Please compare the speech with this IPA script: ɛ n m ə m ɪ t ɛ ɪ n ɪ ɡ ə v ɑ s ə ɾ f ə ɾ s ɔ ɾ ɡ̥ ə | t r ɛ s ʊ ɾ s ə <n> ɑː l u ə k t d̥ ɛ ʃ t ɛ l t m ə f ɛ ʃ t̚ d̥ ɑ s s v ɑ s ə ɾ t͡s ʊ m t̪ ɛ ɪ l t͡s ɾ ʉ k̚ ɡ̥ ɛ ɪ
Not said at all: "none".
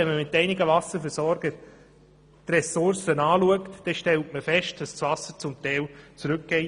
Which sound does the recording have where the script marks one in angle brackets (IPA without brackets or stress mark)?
n